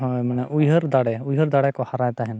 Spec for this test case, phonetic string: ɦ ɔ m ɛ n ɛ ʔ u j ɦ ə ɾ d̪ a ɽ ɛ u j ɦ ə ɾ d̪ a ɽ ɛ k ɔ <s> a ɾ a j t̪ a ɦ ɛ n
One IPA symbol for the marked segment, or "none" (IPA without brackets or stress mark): h